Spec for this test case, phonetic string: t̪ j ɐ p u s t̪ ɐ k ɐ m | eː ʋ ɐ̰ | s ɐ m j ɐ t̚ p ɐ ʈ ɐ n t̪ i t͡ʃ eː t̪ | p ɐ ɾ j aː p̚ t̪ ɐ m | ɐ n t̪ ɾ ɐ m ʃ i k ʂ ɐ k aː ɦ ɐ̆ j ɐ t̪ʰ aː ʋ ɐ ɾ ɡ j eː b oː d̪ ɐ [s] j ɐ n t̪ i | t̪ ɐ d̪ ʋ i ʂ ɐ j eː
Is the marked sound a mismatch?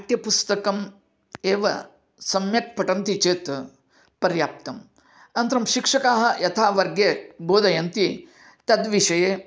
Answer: yes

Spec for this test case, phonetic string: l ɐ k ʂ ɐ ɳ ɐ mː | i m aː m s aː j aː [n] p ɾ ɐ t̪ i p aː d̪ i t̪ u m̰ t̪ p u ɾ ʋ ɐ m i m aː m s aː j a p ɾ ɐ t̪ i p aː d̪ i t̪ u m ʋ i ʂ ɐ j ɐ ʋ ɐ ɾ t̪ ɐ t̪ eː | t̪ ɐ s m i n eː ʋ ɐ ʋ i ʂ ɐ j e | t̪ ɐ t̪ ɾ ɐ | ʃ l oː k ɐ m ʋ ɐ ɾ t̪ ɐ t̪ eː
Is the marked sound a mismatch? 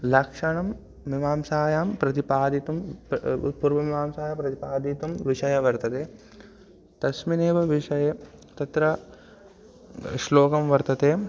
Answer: yes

